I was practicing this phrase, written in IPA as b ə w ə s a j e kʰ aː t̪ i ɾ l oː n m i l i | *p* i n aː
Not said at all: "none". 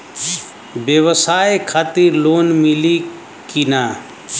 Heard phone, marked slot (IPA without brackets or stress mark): k